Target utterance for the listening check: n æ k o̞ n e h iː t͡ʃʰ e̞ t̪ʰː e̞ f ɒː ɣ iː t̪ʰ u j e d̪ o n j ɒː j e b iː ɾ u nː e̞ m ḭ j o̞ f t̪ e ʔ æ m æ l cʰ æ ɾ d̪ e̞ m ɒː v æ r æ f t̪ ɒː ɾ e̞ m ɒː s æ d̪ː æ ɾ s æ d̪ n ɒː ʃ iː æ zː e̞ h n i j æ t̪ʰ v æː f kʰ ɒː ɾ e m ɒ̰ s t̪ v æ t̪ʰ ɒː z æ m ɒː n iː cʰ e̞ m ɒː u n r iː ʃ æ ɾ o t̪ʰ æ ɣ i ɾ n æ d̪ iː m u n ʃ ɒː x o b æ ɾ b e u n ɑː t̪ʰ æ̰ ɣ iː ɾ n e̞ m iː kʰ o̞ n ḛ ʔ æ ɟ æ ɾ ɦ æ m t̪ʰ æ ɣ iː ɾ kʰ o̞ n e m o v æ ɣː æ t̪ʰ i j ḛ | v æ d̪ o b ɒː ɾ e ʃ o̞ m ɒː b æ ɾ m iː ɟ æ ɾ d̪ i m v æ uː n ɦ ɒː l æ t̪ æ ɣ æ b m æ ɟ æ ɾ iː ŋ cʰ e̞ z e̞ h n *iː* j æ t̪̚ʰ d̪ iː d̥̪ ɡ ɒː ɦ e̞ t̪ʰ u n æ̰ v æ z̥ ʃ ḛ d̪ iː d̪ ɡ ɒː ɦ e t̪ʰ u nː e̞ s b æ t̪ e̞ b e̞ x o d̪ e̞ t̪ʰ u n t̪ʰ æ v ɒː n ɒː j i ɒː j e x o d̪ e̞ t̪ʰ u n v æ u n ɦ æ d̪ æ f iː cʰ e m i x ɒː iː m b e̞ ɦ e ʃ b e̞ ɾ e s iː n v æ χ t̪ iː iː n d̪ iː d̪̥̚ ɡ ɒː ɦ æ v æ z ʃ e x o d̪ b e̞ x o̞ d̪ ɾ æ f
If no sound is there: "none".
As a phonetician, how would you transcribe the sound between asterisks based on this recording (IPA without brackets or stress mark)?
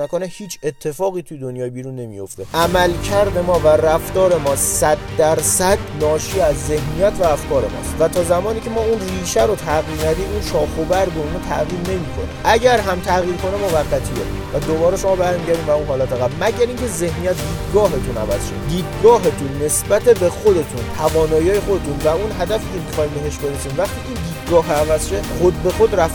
i